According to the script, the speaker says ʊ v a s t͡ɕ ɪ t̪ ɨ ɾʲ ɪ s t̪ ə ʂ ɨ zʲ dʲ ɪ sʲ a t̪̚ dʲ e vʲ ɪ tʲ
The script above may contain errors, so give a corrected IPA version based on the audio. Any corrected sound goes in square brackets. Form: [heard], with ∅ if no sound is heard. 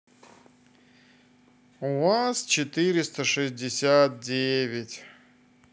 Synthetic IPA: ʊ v a s t͡ɕ ɪ t̪ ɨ ɾʲ ɪ s t̪ ə ʂ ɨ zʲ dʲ ɪ sʲ a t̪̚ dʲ e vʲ ɪ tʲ